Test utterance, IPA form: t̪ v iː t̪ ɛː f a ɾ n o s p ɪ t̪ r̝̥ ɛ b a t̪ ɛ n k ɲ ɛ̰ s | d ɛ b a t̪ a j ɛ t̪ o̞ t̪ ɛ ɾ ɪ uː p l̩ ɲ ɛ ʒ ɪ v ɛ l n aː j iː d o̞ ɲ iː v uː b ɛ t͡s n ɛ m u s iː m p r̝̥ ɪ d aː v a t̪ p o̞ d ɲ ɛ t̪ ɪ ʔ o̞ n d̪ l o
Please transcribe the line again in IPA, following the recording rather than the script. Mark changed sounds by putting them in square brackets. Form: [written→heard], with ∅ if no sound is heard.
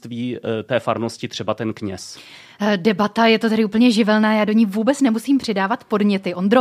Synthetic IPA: t̪ v iː t̪ ɛː f a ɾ n o s [p→c] ɪ t̪ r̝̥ ɛ b a t̪ ɛ n k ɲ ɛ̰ s | d ɛ b a t̪ a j ɛ t̪ o̞ t̪ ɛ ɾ ɪ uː p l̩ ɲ ɛ ʒ ɪ v ɛ l n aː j [iː→aː] d o̞ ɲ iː v uː b ɛ t͡s n ɛ m u s iː m p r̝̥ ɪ d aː v a t̪ p o̞ d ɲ ɛ t̪ ɪ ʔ o̞ n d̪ [l→ɾ] o